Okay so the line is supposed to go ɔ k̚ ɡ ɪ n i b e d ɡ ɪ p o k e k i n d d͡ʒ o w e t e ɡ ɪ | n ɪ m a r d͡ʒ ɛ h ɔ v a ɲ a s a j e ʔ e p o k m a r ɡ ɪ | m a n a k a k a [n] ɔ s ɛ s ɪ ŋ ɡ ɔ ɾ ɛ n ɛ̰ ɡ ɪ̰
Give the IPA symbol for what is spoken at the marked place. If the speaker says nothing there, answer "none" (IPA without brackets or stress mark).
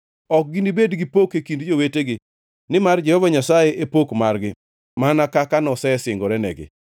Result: n